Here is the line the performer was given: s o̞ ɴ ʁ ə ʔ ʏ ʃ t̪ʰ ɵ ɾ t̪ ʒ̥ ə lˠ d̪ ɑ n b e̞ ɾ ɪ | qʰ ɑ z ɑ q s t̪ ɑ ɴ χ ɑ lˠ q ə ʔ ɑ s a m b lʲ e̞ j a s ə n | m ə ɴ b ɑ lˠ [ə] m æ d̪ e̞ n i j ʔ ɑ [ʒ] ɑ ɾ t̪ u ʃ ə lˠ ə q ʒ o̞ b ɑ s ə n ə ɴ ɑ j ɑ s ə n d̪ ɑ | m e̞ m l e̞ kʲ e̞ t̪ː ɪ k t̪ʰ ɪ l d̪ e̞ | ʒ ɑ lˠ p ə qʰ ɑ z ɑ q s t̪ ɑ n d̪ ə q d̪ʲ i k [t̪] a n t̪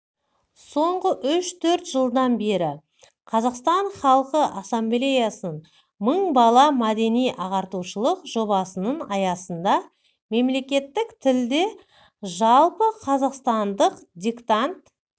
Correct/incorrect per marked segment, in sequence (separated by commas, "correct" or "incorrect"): incorrect, incorrect, correct